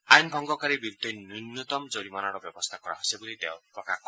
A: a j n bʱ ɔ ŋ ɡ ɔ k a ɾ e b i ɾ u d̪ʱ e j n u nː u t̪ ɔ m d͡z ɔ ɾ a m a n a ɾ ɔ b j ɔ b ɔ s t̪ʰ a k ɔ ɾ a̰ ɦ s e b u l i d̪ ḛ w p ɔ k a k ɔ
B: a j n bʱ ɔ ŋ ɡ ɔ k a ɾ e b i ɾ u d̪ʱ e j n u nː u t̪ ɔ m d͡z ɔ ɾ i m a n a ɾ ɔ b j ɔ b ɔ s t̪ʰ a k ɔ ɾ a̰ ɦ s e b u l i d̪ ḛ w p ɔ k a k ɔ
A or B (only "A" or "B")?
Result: B